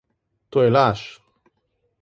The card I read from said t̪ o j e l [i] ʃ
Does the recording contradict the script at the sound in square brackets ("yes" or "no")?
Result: yes